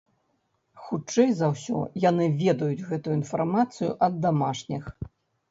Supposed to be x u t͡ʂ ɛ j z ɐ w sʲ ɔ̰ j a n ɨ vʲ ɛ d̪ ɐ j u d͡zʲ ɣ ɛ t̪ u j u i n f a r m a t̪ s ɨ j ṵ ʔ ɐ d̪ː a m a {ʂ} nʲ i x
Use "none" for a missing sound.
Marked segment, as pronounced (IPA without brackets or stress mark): ʂ